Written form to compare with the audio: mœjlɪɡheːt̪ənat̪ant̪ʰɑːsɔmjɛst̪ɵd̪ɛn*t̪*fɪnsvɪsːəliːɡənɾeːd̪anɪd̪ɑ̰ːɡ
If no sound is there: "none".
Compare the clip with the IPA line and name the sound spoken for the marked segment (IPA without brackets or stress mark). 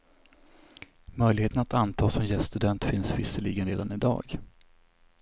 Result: t̪